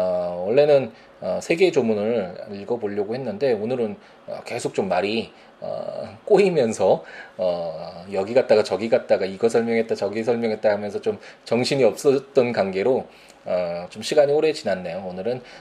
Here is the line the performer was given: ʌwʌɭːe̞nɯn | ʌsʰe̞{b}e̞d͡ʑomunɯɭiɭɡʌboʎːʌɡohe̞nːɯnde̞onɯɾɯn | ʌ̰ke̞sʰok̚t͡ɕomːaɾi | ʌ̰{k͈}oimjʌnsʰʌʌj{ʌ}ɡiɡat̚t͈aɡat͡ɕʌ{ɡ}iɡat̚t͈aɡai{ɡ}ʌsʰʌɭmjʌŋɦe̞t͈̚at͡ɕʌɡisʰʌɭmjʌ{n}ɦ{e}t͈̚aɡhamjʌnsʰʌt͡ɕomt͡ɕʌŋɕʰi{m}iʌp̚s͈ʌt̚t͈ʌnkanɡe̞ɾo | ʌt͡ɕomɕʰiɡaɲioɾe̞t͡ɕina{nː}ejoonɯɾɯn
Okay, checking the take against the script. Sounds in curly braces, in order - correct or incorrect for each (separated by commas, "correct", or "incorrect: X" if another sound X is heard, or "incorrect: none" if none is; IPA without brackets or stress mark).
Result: incorrect: ɡ, correct, correct, correct, correct, incorrect: ŋ, correct, incorrect: ɲ, correct